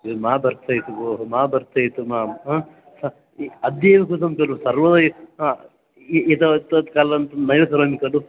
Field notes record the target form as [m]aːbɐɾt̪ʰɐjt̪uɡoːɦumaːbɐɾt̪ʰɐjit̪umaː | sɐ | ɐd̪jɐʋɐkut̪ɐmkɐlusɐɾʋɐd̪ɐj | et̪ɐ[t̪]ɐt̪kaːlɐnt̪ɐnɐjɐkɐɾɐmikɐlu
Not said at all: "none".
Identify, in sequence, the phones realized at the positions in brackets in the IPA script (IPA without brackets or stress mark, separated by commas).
m, t̪